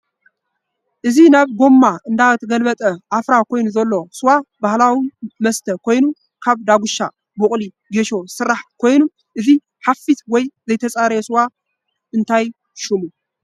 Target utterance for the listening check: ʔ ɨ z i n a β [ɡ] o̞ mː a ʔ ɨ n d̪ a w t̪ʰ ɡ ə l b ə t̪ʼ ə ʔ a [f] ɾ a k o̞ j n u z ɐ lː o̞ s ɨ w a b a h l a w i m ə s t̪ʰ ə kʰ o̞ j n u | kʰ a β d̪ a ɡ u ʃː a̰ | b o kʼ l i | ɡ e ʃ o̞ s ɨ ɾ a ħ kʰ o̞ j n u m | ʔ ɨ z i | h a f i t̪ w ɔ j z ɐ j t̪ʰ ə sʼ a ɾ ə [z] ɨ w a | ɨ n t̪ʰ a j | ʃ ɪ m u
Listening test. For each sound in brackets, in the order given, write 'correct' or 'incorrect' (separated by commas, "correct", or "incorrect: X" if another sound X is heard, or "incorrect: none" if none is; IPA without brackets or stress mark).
correct, correct, incorrect: s